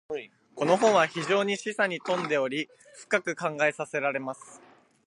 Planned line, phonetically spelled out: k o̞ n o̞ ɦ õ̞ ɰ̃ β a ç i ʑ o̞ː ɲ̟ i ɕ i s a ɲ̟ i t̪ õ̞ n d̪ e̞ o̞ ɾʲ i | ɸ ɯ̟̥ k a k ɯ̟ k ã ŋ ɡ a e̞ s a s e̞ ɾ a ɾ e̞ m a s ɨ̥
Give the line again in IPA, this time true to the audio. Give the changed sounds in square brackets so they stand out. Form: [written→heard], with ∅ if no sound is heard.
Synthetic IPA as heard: k o̞ n o̞ ɦ õ̞ ɰ̃ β a ç i ʑ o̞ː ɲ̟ i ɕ i s a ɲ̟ i t̪ õ̞ n d̪ e̞ o̞ ɾʲ i | ɸ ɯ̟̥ k a k ɯ̟ k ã ŋ ɡ a e̞ s a s e̞ ɾ a ɾ e̞ m a s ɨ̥